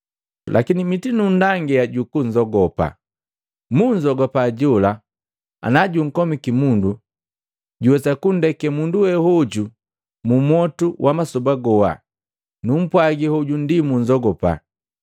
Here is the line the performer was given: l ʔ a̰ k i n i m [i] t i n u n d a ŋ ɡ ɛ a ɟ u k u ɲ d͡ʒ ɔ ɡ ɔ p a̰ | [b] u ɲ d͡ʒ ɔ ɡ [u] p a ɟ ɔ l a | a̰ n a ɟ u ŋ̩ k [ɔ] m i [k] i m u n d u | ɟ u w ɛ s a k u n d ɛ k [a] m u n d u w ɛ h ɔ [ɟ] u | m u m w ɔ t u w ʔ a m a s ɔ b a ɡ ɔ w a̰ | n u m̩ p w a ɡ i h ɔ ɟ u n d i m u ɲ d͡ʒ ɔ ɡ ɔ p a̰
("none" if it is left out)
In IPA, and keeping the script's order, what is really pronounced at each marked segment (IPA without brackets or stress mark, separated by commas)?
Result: i, m, ɔ, ɔ, k, ɛ, ɟ